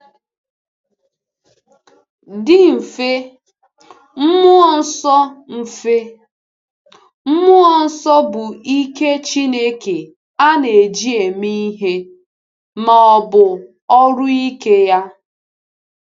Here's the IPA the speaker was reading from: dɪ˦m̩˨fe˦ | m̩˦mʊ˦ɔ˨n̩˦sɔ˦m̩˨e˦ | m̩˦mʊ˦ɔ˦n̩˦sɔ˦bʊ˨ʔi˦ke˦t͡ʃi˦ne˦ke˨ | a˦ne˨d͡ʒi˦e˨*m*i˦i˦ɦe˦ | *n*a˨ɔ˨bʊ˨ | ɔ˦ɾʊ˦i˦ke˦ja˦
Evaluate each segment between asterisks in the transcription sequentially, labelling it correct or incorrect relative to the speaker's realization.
correct, incorrect: m

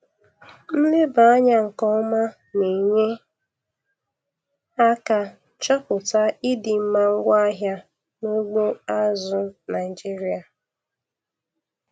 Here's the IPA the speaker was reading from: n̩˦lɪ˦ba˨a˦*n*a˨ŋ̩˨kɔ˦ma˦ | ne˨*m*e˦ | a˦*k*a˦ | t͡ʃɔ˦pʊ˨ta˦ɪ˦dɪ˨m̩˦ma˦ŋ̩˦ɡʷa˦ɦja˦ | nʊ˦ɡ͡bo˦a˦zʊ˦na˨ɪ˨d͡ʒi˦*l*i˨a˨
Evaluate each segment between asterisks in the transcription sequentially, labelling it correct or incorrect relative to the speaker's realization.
incorrect: ɲ, incorrect: ɲ, correct, incorrect: ɾ

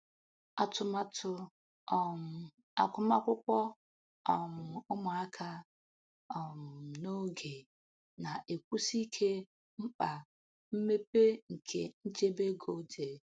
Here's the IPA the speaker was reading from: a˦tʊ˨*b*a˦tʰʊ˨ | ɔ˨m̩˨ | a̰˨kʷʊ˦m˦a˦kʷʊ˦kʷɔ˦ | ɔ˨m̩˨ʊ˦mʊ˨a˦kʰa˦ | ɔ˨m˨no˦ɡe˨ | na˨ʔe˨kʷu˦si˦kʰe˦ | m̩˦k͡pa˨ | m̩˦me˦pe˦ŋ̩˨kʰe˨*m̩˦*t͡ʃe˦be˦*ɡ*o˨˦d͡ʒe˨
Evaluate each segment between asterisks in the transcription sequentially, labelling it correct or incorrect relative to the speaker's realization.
incorrect: m, incorrect: n̩˦, correct

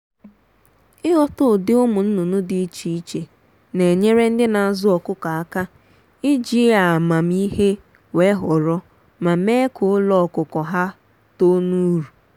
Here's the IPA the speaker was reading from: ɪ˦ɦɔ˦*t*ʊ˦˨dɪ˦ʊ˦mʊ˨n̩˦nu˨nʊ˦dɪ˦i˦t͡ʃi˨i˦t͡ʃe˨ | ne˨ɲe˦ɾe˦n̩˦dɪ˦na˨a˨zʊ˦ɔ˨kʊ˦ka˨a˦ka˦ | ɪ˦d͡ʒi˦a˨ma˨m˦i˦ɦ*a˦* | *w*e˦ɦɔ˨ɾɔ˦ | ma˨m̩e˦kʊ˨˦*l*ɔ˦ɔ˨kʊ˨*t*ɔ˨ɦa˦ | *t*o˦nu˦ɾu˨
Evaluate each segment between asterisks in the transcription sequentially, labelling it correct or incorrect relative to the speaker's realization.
correct, incorrect: e˦, correct, correct, incorrect: k, correct

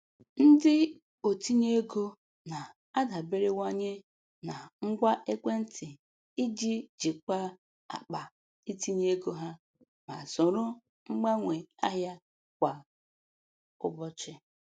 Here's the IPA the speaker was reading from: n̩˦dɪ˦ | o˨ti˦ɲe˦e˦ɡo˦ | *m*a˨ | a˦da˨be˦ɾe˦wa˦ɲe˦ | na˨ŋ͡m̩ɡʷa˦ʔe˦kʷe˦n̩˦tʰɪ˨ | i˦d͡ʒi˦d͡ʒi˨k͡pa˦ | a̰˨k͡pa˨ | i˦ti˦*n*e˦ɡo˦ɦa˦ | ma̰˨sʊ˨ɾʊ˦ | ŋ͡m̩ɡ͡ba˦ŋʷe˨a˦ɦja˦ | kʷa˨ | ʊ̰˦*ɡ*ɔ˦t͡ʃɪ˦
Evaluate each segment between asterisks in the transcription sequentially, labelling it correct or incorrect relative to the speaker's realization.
incorrect: n, incorrect: ɲ, incorrect: b

